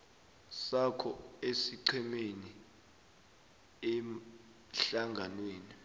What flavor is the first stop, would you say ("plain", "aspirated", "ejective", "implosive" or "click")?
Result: aspirated